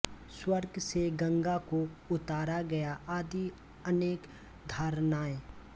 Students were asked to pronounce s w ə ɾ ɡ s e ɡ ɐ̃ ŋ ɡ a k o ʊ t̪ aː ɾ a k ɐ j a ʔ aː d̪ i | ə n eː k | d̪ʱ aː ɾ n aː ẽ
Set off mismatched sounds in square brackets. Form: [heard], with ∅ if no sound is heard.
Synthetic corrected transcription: s w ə ɾ ɡ s e ɡ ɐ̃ ŋ ɡ a k o ʊ t̪ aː ɾ a [ɡ] ɐ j a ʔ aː d̪ i | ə n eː k | d̪ʱ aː ɾ n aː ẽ